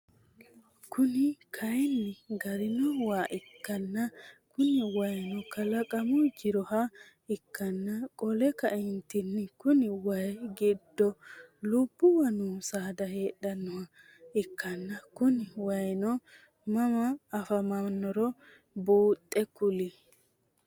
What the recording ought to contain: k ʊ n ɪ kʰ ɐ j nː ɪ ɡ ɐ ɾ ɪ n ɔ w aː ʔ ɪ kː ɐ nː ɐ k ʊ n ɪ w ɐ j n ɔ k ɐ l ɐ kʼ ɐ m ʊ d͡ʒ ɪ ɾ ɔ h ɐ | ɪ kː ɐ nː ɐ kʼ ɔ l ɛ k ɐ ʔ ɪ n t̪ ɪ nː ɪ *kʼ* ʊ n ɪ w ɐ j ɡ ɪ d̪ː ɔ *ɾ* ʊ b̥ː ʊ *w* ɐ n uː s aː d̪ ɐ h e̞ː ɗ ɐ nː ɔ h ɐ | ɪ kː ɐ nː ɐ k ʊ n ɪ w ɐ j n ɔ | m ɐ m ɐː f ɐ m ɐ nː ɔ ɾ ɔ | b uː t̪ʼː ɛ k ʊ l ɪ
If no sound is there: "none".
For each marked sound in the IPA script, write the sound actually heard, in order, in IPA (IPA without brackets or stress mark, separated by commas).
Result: k, l, w